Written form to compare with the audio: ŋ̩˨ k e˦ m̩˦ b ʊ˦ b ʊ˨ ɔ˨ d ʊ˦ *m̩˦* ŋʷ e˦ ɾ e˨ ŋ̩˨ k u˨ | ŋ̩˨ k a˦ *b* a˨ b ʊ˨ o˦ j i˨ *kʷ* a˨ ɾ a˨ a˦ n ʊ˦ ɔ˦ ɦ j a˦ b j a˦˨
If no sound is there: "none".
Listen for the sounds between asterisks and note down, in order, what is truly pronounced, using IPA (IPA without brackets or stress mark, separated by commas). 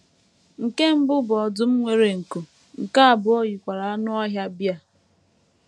m̩˦, none, kʷ